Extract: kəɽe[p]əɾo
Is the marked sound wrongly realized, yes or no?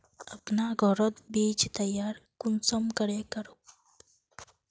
yes